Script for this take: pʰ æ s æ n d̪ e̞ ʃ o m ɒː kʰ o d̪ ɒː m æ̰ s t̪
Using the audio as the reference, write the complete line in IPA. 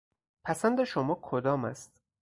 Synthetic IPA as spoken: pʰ æ s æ n d̪ e̞ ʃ o m ɒː kʰ o d̪ ɒː m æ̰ s t̪